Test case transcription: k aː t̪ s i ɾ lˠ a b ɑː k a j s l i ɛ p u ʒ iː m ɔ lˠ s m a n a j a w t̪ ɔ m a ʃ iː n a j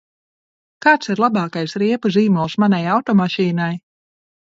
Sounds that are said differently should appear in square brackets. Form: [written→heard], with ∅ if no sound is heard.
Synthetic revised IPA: k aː t̪ s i ɾ lˠ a b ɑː k a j s [l→ɾ] i ɛ p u [ʒ→z] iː m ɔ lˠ s m a n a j a w t̪ ɔ m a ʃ iː n a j